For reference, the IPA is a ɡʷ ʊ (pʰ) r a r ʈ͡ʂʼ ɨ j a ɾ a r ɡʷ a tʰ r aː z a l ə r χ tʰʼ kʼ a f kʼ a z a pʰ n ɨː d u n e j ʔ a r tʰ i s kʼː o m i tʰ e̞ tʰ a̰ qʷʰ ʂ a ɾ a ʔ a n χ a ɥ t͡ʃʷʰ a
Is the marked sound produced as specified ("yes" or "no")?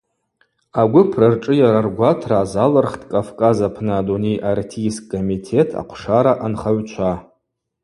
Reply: yes